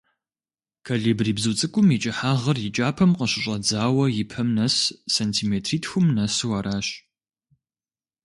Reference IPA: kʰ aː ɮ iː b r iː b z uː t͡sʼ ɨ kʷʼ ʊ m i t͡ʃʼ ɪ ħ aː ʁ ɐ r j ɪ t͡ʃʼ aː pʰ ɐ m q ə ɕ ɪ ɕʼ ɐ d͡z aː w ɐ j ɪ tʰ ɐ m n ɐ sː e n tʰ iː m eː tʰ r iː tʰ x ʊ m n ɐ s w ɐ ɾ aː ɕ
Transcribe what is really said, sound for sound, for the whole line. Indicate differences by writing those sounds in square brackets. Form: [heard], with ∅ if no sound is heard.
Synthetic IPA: kʰ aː ɮ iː b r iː b z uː t͡sʼ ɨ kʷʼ ʊ m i t͡ʃʼ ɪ ħ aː ʁ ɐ r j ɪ t͡ʃʼ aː pʰ ɐ m q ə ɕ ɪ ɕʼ ɐ d͡z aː w ɐ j ɪ [pʰ] ɐ m n ɐ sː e n tʰ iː m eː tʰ r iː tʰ x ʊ m n ɐ s w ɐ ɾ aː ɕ